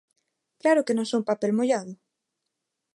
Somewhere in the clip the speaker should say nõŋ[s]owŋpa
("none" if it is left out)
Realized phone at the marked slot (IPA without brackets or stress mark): s